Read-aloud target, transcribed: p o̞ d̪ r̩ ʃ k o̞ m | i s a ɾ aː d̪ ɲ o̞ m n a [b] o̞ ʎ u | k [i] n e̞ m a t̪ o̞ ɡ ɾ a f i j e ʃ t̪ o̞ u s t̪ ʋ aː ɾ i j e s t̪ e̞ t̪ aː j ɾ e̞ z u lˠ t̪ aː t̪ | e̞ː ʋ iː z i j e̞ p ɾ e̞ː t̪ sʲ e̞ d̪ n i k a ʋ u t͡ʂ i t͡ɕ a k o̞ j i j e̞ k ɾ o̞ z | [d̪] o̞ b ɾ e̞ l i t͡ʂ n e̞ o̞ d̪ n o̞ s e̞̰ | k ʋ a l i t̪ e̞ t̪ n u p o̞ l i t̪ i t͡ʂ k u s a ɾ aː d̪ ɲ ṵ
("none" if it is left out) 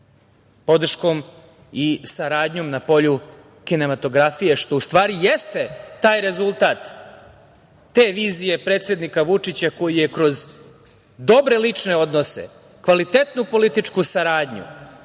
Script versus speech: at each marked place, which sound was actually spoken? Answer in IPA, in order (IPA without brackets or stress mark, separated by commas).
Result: p, i, d̪